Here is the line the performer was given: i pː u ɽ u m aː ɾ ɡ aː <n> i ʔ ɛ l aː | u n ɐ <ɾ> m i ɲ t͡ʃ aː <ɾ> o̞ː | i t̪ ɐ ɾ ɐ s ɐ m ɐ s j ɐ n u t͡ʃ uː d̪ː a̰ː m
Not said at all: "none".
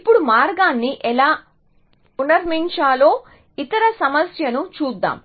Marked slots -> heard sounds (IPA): nː, ɾ, l

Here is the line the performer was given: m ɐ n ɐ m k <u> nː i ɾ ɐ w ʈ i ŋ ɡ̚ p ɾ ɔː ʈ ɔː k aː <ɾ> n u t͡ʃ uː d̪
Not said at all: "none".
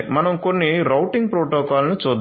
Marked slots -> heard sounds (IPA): o, l

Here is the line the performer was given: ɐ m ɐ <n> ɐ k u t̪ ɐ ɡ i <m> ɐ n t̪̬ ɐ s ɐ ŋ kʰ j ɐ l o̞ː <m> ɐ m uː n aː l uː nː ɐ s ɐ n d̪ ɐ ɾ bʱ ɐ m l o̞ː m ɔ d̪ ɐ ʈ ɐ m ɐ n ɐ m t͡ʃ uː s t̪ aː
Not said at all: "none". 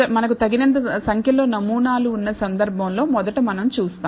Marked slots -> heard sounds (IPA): n, n, n

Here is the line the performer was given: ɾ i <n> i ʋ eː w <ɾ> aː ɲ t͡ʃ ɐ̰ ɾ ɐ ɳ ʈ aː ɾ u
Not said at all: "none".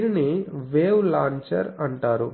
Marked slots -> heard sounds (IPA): n, l

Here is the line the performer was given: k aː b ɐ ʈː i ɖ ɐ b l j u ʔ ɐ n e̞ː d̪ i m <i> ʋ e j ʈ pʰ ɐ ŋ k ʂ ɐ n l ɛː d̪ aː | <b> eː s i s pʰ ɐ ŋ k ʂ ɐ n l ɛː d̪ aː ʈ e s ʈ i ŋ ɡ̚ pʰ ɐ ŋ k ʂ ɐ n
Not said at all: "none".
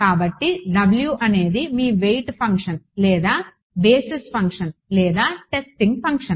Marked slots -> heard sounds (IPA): iː, b

